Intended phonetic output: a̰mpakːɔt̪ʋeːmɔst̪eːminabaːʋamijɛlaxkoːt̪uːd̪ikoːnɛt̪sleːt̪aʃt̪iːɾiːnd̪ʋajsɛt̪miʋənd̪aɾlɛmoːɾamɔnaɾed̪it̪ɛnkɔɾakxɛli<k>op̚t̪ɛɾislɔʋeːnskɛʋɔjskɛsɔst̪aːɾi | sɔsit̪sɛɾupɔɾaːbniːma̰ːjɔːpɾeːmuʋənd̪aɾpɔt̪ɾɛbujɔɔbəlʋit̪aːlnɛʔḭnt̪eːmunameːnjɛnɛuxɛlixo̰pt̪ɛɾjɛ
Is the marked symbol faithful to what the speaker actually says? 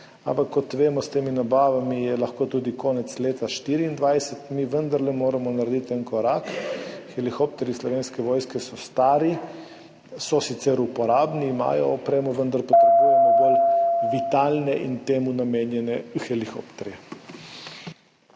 no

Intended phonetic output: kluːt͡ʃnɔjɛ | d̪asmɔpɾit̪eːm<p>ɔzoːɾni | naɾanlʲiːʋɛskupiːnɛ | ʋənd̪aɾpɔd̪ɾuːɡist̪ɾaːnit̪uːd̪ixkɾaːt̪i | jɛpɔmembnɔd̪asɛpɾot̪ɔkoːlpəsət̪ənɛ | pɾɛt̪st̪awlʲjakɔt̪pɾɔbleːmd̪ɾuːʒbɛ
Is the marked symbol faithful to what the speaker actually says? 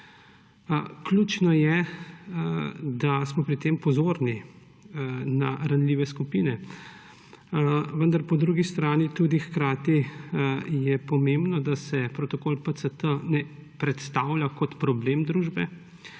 yes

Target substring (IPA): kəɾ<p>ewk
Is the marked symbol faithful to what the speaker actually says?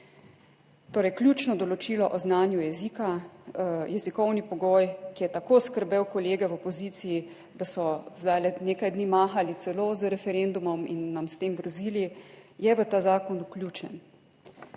no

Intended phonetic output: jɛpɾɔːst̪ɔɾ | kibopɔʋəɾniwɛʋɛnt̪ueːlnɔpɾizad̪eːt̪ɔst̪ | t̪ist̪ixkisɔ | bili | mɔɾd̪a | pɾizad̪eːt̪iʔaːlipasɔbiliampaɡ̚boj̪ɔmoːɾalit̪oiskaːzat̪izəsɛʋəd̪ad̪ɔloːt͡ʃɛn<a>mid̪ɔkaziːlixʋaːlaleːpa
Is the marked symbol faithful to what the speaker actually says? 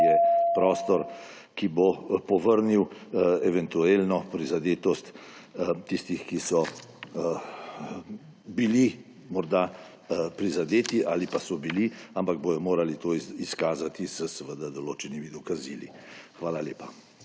no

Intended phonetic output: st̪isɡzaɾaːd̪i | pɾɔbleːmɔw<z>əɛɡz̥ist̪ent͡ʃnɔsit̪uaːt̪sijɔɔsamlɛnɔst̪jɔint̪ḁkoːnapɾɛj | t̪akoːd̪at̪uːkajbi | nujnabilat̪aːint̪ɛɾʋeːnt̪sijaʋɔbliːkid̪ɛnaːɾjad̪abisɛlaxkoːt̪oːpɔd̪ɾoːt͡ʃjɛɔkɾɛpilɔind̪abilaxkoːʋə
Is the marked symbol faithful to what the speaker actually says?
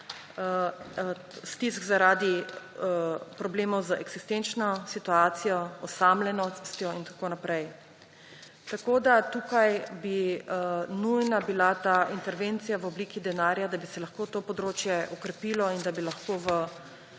yes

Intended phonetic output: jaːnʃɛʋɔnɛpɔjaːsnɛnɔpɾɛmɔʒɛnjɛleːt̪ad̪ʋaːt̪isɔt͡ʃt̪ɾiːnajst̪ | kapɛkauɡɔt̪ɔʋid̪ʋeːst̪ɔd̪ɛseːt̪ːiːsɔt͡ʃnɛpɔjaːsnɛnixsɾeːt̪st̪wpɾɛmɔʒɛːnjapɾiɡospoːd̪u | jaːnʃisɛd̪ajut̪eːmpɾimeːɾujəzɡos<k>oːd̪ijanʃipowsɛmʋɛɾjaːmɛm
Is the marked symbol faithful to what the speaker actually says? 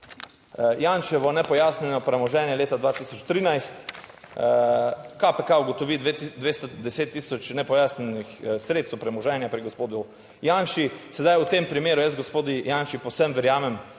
no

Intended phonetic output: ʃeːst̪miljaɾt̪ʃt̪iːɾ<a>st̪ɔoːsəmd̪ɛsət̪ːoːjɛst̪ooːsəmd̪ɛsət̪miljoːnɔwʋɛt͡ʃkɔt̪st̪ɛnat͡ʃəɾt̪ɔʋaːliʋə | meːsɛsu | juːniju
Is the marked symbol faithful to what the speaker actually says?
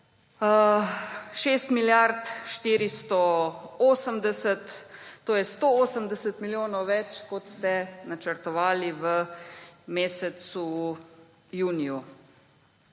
no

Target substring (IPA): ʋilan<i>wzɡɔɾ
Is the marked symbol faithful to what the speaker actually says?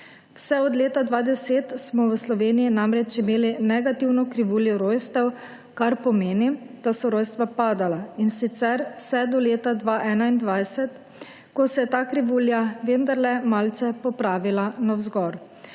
no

